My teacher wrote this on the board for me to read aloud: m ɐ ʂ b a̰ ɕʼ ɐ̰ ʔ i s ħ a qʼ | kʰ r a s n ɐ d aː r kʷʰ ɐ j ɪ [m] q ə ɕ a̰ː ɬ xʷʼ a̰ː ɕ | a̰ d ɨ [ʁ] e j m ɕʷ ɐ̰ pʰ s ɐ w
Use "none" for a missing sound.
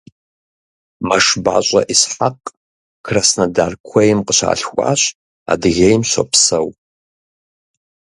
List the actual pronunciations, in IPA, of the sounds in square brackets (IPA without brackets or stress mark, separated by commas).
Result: m, ɣ